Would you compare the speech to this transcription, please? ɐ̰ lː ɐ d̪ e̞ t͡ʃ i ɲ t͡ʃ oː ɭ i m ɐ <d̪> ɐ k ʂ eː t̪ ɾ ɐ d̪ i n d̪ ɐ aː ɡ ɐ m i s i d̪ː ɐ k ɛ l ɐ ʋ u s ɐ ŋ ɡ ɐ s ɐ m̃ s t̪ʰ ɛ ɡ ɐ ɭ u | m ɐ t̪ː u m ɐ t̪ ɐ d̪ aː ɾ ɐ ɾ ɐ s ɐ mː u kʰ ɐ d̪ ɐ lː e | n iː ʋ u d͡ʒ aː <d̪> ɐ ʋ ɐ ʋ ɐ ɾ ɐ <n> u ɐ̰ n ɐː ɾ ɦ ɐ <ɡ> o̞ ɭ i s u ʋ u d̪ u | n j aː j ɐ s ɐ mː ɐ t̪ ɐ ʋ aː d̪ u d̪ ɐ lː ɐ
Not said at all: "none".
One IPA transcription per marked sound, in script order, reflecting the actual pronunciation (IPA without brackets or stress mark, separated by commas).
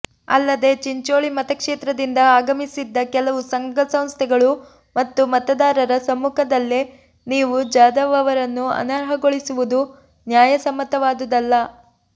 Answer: t̪, d̪, nː, ɡ